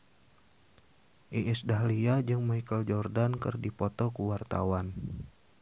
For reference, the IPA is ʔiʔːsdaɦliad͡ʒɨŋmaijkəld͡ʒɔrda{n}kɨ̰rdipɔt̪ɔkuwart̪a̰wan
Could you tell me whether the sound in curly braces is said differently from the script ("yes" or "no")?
no